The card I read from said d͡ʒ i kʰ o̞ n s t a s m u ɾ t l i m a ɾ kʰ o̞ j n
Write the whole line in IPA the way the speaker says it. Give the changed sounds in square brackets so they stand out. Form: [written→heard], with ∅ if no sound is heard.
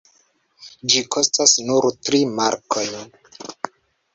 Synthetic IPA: d͡ʒ i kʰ o̞ [n→∅] s t a s [m→n] u ɾ t [l→ɾ] i m a ɾ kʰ o̞ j n